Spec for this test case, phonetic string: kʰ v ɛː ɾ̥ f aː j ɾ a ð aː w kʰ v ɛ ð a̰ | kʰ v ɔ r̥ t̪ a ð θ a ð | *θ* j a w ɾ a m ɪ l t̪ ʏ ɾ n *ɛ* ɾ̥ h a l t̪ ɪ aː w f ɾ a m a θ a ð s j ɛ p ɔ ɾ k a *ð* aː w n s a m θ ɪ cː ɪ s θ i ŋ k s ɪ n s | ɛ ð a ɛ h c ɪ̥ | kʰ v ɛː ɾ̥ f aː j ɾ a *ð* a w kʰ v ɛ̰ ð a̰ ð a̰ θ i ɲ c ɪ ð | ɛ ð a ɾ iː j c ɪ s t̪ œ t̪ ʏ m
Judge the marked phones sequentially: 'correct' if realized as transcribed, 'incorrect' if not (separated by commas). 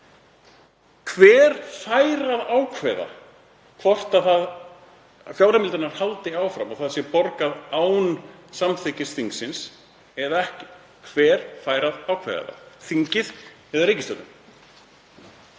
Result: incorrect, incorrect, correct, correct